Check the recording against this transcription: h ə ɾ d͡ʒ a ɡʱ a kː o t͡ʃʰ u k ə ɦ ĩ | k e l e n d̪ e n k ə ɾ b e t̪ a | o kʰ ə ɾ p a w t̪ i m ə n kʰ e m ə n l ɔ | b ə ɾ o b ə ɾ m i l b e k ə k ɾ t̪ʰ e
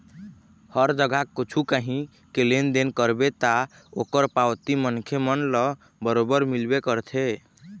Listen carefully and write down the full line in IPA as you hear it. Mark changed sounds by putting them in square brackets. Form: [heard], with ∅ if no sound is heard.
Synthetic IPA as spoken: h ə ɾ d͡ʒ [ə] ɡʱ a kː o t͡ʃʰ u k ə ɦ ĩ | k e l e n d̪ e n k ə ɾ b e t̪ a | o [k] ə ɾ p a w t̪ i m ə n kʰ e m ə n l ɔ | b ə ɾ o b ə ɾ m i l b e k ə [∅] ɾ t̪ʰ e